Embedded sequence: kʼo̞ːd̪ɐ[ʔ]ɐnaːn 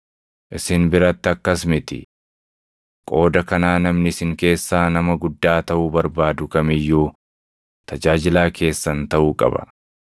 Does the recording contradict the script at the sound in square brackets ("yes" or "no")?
yes